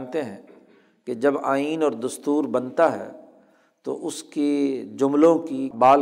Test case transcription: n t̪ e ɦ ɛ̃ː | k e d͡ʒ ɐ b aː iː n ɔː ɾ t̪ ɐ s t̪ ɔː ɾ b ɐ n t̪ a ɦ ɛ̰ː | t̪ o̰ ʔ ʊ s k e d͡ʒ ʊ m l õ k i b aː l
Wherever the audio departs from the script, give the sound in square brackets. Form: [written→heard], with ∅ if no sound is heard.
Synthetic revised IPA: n t̪ e ɦ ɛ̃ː | k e d͡ʒ ɐ b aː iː n ɔː ɾ [t̪→d̪] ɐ s t̪ [ɔː→uː] ɾ b ɐ n t̪ a ɦ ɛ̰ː | t̪ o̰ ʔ ʊ s k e d͡ʒ ʊ m l õ k i b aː l